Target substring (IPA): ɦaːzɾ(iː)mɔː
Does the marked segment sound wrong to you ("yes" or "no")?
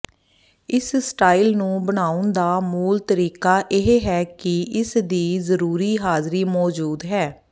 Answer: no